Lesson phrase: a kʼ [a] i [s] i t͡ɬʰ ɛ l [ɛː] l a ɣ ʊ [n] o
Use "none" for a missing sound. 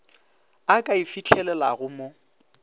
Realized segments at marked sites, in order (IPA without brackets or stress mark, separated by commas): a, f, ɛ, m